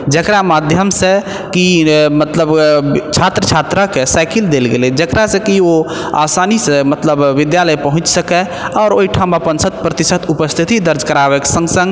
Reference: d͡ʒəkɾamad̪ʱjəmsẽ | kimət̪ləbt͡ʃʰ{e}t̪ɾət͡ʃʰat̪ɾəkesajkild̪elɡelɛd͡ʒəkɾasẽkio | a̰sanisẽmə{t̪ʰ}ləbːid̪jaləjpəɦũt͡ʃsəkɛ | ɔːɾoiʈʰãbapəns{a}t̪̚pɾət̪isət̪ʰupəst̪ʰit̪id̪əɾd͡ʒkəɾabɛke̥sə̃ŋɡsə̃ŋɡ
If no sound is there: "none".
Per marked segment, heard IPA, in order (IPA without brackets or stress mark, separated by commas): a, t̪, ə